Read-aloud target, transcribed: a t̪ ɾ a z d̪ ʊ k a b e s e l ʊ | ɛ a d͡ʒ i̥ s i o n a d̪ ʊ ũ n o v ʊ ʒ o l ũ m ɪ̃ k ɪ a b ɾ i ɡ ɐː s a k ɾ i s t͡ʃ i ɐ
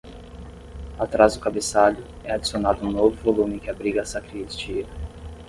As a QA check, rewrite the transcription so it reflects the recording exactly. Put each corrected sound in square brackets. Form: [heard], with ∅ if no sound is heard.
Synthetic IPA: a t̪ ɾ a z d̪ ʊ k a b e s [a] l ʊ | ɛ a d͡ʒ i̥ s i o n a d̪ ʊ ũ n o v ʊ [v] o l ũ m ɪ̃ k ɪ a b ɾ i ɡ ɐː s a k ɾ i s t͡ʃ i ɐ